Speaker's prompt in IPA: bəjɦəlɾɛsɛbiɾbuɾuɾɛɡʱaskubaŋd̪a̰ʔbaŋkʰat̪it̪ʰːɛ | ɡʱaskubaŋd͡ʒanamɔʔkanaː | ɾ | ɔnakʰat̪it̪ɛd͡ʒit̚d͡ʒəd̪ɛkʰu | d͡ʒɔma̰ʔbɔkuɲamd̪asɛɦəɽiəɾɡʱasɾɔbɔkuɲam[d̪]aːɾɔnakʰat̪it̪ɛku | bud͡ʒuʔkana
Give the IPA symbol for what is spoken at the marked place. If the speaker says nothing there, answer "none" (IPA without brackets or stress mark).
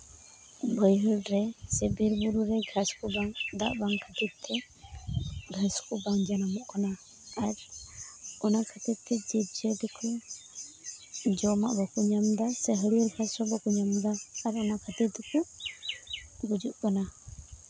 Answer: d̪